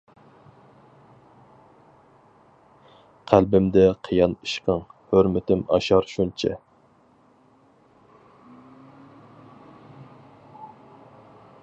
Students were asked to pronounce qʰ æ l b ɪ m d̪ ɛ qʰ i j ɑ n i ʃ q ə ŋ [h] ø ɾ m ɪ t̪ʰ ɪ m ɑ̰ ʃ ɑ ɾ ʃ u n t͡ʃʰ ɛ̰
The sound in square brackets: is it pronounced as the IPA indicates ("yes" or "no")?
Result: yes